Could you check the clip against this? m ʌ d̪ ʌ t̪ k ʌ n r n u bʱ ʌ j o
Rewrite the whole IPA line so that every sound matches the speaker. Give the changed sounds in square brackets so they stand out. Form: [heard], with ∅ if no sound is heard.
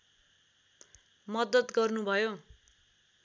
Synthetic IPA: m ʌ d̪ ʌ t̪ [ɡ] ʌ [∅] r n u bʱ ʌ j o

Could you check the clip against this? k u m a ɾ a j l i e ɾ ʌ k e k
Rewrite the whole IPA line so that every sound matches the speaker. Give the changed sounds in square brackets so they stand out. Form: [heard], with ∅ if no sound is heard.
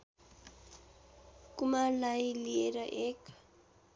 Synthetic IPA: k u m a [l] a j l i e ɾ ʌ [ʔ] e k

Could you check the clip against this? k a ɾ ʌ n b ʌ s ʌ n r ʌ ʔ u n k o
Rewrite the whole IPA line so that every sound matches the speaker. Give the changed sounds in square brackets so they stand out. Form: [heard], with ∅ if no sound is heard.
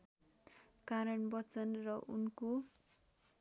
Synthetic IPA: k a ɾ ʌ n b ʌ [t͡s] ʌ n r ʌ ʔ u n k o

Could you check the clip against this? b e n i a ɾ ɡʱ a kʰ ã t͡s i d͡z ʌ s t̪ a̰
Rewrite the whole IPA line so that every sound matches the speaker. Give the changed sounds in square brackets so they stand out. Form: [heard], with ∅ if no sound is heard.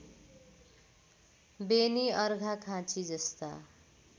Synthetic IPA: b e n i [ʌ] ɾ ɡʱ a kʰ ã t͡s i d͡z ʌ s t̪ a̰

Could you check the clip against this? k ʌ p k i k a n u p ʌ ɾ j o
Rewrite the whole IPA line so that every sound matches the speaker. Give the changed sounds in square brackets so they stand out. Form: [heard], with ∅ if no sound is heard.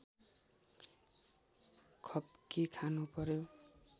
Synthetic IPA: [kʰ] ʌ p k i [kʰ] a n u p ʌ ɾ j o

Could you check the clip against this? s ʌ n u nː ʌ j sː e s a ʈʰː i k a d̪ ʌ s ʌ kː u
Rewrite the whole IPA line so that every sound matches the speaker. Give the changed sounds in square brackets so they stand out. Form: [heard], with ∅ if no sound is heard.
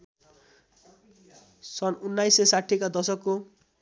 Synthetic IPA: s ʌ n u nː [a] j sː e s a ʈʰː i k a d̪ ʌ s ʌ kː [o]

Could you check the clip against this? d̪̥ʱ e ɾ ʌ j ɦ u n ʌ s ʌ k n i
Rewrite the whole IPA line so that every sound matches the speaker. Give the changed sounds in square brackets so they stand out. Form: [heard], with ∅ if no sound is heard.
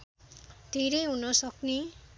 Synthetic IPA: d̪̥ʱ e ɾ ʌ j ɦ u n ʌ s ʌ k n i

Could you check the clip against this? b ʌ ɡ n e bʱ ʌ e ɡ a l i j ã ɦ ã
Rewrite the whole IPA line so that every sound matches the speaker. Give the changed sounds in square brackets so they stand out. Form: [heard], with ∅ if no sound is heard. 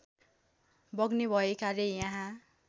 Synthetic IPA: b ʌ ɡ n e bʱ ʌ e [k] a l [e] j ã ɦ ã

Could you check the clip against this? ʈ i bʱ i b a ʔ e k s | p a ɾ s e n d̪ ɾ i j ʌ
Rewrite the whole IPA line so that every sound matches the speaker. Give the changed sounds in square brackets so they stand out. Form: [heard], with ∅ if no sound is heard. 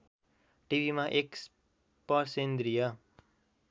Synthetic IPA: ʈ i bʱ i [m] a ʔ e k s | p [ʌ] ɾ s e n d̪ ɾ i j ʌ

